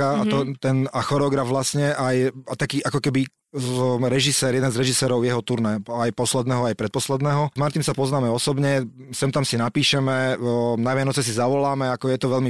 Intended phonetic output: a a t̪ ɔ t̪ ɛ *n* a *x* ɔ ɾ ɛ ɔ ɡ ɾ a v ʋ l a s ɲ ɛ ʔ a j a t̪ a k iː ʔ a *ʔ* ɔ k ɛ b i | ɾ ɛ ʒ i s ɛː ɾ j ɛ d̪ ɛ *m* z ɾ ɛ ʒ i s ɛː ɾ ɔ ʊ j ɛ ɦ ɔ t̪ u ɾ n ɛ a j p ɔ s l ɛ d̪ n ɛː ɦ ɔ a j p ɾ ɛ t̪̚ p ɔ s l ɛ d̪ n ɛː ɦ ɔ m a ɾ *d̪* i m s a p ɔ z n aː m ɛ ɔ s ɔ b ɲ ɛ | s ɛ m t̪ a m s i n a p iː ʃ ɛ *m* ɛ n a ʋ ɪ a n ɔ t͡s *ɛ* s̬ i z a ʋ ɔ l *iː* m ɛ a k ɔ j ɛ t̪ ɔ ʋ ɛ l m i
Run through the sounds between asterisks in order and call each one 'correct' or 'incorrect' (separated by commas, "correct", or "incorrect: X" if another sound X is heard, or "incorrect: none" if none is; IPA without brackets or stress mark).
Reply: correct, correct, incorrect: k, incorrect: n, incorrect: t̪, correct, correct, incorrect: aː